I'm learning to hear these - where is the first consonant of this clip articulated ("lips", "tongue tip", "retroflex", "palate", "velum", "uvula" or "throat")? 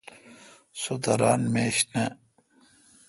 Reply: tongue tip